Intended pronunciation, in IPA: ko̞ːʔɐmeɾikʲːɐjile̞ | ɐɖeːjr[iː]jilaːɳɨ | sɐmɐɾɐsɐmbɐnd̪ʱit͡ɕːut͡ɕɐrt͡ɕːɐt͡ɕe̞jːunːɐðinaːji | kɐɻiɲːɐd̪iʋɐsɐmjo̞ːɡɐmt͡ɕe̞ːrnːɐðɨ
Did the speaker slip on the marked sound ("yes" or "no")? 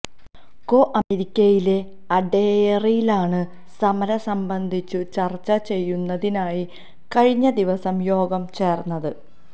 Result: yes